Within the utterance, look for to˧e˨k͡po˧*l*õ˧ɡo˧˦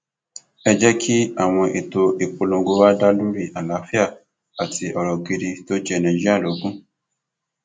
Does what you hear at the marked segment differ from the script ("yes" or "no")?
no